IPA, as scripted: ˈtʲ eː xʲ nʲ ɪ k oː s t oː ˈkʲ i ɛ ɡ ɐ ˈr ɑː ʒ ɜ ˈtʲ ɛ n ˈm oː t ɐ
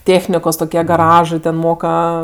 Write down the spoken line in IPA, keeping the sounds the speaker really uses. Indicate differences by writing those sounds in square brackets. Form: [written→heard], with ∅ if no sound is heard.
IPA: ˈtʲ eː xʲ nʲ ɪ k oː s t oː ˈkʲ i ɛ ɡ ɐ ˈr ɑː ʒ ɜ ˈtʲ ɛ n ˈm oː [t→k] ɐ